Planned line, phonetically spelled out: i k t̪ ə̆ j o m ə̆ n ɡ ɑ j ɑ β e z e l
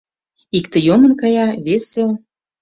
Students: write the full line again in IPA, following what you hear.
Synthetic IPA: i k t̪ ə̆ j o m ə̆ n k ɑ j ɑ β e s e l